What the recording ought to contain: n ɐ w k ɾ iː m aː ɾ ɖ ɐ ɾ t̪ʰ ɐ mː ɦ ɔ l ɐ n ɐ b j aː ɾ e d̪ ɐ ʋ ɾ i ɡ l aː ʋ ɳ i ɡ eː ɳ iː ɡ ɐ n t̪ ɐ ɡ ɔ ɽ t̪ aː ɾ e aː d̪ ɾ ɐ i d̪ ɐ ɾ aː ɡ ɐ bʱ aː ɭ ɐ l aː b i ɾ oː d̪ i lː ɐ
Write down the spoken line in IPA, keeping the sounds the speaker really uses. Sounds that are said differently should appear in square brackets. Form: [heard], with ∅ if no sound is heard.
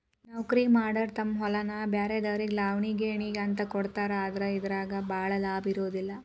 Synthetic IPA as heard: n ɐ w k ɾ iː m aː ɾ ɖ ɐ ɾ [t̪] ɐ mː ɦ ɔ l ɐ n ɐ b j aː ɾ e d̪ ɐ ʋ ɾ i ɡ l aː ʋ ɳ i ɡ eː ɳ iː ɡ ɐ n t̪ ɐ [k] ɔ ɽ t̪ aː ɾ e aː d̪ ɾ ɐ i d̪ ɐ ɾ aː ɡ ɐ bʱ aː ɭ ɐ l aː b i ɾ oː d̪ i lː ɐ